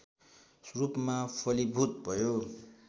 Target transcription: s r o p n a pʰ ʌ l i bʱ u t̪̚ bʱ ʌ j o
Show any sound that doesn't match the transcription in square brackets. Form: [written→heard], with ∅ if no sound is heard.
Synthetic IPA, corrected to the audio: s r [o→u] p [n→m] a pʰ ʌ l i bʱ u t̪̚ bʱ ʌ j o

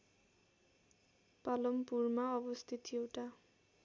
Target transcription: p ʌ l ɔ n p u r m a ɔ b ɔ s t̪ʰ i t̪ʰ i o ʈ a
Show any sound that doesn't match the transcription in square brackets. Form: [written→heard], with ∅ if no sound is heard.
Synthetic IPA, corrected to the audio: p [ʌ→a] l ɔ [n→m] p u [r→ɹ] m a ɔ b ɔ s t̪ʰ i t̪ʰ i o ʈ a

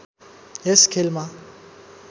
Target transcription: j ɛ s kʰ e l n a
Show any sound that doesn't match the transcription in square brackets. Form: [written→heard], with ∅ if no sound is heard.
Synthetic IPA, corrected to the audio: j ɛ s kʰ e l [n→m] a

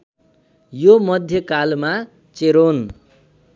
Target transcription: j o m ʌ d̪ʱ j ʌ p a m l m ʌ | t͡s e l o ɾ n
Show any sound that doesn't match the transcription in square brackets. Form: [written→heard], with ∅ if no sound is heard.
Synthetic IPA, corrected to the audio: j o m ʌ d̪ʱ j ʌ [p→k] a [m→∅] l m [ʌ→a] | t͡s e [l→ɾ] o [ɾ→∅] n

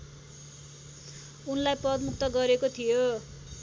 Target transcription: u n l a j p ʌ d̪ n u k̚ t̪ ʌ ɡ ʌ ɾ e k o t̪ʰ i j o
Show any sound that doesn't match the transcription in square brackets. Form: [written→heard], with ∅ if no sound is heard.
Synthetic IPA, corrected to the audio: u n l a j p ʌ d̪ [n→m] u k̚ t̪ ʌ ɡ ʌ ɾ e k o t̪ʰ i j o

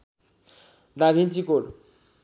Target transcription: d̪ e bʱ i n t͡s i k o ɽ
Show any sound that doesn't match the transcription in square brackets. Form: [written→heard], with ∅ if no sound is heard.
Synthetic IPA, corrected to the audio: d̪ [e→a] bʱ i n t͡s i k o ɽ

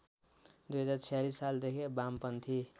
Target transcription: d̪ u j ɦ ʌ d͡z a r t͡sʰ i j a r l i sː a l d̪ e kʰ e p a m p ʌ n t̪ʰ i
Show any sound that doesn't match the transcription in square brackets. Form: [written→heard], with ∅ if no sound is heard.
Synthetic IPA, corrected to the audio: d̪ u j ɦ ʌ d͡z a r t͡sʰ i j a [r→∅] l i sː a l d̪ e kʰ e [p→b] a m p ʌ n t̪ʰ i

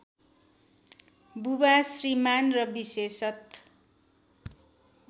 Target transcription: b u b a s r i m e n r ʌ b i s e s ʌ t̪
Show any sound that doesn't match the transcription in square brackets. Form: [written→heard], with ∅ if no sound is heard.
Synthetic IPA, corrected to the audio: b u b a s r i m [e→a] n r ʌ b i s e s ʌ t̪

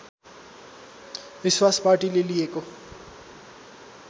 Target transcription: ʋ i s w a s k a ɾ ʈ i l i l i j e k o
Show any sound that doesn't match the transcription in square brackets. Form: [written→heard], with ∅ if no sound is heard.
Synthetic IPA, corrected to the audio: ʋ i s w a s [k→p] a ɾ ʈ i l [i→e] l i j e k o

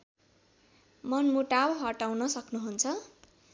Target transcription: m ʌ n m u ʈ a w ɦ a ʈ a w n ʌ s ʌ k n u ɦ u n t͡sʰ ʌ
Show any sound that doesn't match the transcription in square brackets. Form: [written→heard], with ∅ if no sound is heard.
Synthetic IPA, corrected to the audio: m ʌ n m u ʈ a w ɦ [a→ʌ] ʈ a w n ʌ s ʌ k n u ɦ u n t͡sʰ ʌ

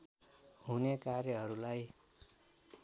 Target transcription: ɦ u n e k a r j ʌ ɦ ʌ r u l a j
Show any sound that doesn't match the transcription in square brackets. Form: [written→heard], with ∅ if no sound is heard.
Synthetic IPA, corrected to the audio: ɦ u n e k a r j ʌ ɦ ʌ [r→ɾ] u l a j

